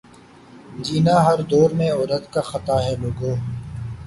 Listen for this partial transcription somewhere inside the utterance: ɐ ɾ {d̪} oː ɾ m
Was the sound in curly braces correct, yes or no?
yes